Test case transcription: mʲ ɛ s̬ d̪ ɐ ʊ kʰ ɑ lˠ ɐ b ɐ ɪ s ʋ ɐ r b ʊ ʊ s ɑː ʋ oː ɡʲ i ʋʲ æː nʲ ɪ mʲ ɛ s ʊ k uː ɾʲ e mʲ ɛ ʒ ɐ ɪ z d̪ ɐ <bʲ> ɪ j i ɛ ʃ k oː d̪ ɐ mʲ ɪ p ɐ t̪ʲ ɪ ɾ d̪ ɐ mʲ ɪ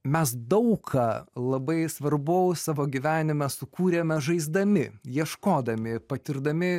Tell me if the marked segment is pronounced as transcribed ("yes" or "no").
no